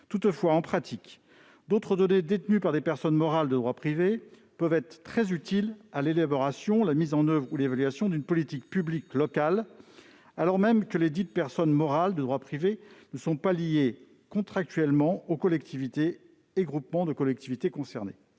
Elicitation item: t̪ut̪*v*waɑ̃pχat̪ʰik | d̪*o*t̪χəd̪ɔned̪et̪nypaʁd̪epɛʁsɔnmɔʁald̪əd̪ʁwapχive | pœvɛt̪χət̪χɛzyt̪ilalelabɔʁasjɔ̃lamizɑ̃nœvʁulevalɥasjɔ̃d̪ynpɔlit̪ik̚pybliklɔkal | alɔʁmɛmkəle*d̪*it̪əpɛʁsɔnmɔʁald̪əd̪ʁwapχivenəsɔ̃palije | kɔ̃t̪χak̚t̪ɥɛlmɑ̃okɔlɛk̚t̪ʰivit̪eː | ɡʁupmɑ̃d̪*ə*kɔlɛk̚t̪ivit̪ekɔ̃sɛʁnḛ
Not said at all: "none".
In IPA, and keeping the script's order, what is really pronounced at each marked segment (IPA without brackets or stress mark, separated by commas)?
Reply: f, o, d̪, ə